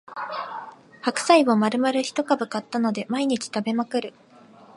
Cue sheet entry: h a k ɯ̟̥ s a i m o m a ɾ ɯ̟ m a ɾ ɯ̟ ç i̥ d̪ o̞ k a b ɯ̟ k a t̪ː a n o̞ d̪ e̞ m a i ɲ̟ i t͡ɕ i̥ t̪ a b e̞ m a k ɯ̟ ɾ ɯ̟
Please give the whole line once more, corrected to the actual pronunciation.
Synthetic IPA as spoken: h a k ɯ̟̥ s a i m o m a ɾ ɯ̟ m a ɾ ɯ̟ ç i̥ t̪ o̞ k a b ɯ̟ k a t̪ː a n o̞ d̪ e̞ m a i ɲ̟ i t͡ɕ i̥ t̪ a b e̞ m a k ɯ̟ ɾ ɯ̟

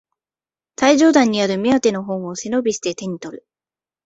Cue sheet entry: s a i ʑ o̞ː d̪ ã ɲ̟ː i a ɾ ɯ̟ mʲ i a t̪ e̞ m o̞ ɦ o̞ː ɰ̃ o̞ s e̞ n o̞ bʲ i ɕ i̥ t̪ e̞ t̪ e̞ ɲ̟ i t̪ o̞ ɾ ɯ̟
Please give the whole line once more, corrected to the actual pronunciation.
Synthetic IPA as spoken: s a i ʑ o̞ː d̪ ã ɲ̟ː i a ɾ ɯ̟ mʲ i a t̪ e̞ n o̞ ɦ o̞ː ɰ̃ o̞ s e̞ n o̞ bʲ i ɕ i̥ t̪ e̞ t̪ e̞ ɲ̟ i t̪ o̞ ɾ ɯ̟

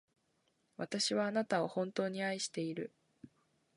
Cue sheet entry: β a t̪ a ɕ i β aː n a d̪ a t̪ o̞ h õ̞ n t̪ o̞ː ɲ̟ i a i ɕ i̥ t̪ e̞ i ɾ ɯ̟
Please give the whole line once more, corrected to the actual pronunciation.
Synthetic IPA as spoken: β a t̪ a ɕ i β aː n a t̪ a o̞ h õ̞ n t̪ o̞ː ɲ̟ i a i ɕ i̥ t̪ e̞ i ɾ ɯ̟

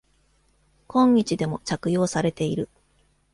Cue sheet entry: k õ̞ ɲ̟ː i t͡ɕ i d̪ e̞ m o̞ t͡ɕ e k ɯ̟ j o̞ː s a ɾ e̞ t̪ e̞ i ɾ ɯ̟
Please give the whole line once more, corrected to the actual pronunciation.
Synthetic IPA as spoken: k õ̞ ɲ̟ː i t͡ɕ i d̪ e̞ m o̞ t͡ɕ a k ɯ̟ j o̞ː s a ɾ e̞ t̪ e̞ i ɾ ɯ̟

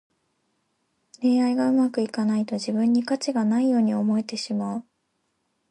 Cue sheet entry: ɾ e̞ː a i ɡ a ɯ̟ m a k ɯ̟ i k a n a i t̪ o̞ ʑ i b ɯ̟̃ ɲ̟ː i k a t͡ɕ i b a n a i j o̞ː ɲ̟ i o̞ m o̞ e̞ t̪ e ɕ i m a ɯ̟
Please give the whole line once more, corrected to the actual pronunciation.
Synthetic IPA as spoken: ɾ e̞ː a i ɡ a ɯ̟ m a k ɯ̟ i k a n a i t̪ o̞ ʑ i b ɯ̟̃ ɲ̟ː i k a t͡ɕ i ɡ a n a i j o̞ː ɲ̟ i o̞ m o̞ e̞ t̪ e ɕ i m a ɯ̟

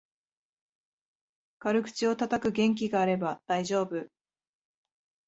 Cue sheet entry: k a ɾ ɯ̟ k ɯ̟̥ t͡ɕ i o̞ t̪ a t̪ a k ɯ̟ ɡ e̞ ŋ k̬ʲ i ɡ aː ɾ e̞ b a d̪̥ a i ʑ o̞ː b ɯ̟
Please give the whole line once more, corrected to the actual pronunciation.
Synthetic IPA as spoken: k a ɾ ɯ̟ k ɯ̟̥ t͡ɕ i o̞ t̪ a t̪ a k ɯ̟ ɡ ẽ̞ ŋ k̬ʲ i ɡ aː ɾ e̞ b a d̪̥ a i ʑ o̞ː b ɯ̟

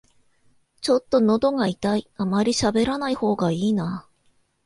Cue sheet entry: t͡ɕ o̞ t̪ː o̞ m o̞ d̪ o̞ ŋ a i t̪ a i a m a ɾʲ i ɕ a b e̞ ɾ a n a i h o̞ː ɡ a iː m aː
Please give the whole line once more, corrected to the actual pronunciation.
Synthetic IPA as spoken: t͡ɕ o̞ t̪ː o̞ n o̞ d̪ o̞ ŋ a i t̪ a i a m a ɾʲ i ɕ a b e̞ ɾ a n a i h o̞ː ɡ a iː n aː

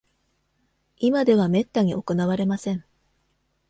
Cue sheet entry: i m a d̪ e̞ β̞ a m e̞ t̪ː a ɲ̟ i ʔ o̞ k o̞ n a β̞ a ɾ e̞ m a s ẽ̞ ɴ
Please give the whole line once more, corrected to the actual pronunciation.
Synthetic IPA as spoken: i m a d̪ e̞ β̞ a m e̞ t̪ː a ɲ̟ i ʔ o̞ k o̞ n a β̞ a ɾ e̞ m a s ẽ̞ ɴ

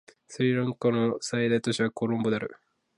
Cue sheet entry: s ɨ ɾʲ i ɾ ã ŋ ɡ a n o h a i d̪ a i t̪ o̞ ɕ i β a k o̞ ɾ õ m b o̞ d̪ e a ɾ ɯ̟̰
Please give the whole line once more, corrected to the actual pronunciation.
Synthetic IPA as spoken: s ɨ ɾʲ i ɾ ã ŋ k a n o s a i d̪ a i t̪ o̞ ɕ i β a k o̞ ɾ õ m b o̞ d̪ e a ɾ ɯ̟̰

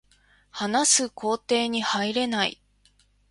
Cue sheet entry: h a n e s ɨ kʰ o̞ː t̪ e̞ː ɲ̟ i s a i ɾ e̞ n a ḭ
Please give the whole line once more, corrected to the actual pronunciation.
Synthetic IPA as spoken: h a n a s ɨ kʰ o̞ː t̪ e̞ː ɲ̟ i h a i ɾ e̞ n a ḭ

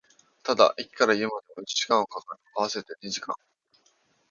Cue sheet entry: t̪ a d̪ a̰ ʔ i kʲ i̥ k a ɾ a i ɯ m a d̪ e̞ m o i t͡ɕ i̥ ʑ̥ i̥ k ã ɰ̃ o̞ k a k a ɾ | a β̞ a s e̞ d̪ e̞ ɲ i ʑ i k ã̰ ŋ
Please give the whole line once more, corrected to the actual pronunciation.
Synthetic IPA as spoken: t̪ a d̪ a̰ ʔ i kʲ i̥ k a ɾ a i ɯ m a d̪ e̞ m o i t͡ɕ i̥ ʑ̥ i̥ k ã ɰ̃ o̞ k a k a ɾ | a β̞ a s e̞ t̪ e̞ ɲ i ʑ i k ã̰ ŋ

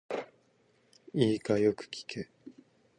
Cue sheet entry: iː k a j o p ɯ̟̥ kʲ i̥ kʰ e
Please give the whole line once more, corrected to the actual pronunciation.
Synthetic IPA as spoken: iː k a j o k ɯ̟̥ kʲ i̥ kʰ e

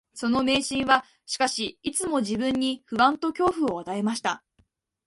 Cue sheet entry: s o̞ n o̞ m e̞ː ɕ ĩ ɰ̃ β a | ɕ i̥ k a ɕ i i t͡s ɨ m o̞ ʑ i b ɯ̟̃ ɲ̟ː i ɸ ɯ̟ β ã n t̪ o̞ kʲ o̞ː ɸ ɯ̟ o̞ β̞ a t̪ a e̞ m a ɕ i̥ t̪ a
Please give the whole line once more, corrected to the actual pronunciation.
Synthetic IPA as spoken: s o̞ n o̞ m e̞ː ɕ ĩ ɰ̃ β a | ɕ i̥ k a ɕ i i t͡s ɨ m o̞ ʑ i b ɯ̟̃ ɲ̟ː i ɸ ɯ̟ β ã n t̪ o̞ kʲ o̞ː ɸ ɯ̟ o̞ β̞ a t̪ a e̞ m a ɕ i̥ t̪ a

